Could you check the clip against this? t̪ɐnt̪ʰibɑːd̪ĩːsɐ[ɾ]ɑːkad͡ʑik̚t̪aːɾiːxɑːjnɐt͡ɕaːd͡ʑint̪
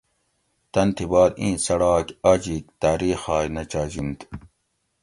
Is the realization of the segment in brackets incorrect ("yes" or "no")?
yes